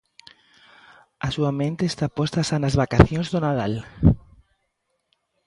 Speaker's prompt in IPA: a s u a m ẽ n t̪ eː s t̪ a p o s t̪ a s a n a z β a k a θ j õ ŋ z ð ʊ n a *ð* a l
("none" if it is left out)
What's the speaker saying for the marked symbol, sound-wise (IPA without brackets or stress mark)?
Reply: ð